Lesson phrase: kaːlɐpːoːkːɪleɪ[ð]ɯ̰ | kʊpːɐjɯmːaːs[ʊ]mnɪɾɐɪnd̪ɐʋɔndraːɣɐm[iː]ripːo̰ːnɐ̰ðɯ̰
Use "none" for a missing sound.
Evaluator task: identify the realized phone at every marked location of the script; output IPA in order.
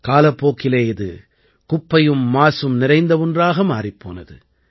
ð, ɯ, aː

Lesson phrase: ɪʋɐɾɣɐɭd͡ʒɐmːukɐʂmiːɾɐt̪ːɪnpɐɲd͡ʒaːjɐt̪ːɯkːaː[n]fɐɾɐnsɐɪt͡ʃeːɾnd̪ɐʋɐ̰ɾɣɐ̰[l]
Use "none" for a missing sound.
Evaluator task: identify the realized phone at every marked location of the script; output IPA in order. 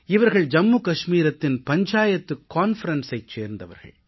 n, ɭ

